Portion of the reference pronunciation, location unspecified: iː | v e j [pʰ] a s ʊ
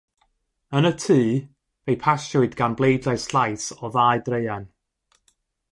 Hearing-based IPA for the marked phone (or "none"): pʰ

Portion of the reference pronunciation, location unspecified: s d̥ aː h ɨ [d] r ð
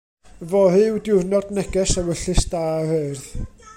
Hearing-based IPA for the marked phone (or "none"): none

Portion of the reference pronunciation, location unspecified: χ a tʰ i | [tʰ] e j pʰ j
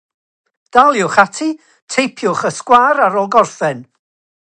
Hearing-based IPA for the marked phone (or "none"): tʰ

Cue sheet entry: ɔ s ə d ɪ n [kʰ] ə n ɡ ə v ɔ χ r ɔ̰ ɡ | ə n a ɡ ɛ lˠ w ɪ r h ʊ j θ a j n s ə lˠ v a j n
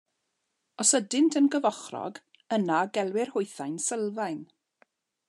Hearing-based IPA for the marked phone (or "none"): tʰ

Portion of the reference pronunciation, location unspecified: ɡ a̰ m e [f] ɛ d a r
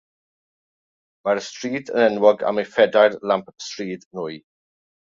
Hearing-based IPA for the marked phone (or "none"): f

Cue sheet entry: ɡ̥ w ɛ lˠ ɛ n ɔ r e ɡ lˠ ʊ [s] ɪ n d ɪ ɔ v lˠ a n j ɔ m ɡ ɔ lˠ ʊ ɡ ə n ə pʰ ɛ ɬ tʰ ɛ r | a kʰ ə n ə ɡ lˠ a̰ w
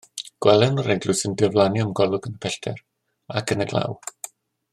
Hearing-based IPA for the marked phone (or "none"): s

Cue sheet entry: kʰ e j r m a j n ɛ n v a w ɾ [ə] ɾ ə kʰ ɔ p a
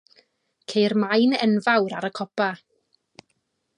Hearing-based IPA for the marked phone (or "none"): a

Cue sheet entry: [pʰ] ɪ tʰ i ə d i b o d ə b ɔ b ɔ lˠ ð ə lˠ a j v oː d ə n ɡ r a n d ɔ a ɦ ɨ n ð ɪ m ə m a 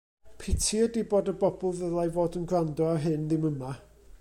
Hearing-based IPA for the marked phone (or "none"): pʰ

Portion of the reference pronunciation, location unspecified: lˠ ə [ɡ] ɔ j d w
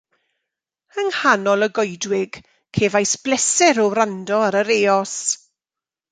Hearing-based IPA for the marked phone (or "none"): ɡ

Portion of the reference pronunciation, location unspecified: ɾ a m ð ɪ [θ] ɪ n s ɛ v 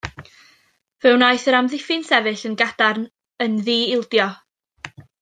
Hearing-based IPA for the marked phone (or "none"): f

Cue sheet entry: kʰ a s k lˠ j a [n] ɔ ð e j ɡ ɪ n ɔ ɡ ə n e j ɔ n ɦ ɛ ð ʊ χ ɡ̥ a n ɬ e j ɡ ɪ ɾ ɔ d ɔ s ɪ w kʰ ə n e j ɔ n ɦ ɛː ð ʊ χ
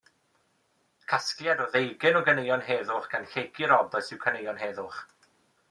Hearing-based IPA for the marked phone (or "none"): d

